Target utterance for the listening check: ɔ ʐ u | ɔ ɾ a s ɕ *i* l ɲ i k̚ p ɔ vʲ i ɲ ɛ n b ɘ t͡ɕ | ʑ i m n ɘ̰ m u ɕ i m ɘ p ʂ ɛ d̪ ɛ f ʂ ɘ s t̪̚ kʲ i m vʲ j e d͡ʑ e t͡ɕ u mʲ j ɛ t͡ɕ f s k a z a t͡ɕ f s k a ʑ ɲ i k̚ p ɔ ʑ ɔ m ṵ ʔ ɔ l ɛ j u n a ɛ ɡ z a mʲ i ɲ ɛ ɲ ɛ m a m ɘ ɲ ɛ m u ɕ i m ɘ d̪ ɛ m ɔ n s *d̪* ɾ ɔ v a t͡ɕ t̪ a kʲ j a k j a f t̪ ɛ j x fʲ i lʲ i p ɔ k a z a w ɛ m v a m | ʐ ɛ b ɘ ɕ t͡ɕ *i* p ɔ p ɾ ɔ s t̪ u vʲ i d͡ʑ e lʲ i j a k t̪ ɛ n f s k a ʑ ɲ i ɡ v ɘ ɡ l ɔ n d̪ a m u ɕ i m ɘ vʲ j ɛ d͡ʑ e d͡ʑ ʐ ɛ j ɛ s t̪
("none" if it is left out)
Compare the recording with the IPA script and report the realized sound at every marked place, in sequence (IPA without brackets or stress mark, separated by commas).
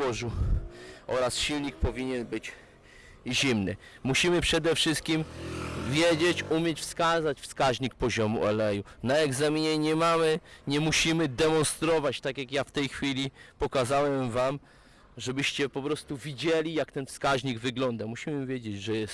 i, t̪, ɛ